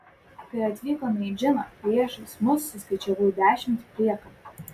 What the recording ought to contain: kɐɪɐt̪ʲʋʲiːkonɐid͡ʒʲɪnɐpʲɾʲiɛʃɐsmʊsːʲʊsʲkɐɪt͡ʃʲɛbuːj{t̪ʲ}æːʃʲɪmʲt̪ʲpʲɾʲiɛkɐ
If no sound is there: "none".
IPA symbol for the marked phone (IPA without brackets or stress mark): d̪ʲ